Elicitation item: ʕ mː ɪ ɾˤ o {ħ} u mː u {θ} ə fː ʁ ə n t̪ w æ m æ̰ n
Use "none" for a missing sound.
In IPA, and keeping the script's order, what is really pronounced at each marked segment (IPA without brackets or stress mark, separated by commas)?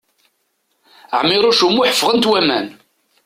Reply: ʃ, ħ